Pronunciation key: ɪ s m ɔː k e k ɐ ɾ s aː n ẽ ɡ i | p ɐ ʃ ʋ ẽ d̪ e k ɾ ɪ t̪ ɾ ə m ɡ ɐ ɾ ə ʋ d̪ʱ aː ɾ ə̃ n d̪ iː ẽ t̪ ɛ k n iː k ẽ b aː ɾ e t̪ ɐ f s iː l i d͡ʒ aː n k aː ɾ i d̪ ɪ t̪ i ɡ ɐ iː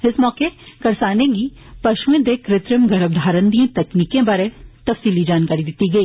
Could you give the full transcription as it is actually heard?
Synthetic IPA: ɪ s m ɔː k e k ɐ ɾ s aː n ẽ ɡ i | p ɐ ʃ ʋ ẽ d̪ e k ɾ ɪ t̪ ɾ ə m ɡ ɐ ɾ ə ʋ d̪ʱ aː ɾ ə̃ n d̪ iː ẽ t̪ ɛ k n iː k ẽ b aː ɾ e t̪ ɐ f s iː l i d͡ʒ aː n k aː ɾ i d̪ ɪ t̪ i ɡ ɐ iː